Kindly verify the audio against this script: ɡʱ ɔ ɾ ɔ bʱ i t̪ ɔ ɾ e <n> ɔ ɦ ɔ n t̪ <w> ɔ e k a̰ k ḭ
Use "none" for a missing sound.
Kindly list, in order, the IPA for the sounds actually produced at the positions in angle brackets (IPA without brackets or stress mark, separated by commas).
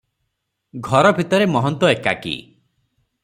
m, w